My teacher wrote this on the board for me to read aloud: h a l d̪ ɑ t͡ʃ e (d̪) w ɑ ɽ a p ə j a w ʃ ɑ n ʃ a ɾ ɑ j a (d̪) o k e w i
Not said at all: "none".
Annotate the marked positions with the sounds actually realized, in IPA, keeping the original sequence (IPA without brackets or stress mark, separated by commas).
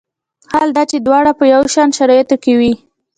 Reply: d̪, t̪